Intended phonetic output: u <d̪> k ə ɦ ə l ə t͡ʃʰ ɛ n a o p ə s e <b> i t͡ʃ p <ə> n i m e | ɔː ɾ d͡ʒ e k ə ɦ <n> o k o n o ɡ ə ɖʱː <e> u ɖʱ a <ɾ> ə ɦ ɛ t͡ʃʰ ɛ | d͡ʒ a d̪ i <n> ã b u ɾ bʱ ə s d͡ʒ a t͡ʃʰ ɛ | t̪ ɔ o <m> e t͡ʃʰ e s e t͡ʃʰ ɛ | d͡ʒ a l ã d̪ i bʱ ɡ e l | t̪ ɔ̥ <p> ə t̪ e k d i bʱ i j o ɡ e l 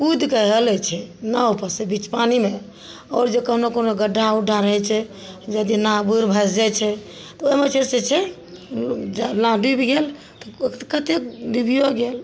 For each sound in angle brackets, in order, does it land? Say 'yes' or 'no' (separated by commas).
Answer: yes, yes, no, yes, no, yes, yes, yes, no